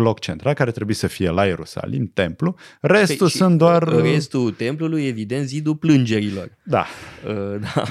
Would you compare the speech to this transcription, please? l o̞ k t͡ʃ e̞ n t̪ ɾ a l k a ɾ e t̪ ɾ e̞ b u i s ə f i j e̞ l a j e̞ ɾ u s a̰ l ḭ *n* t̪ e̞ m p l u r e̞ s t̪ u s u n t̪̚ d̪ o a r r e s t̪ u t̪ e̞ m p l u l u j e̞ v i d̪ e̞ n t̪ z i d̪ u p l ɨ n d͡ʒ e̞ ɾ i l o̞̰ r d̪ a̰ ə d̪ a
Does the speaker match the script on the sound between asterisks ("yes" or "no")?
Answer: no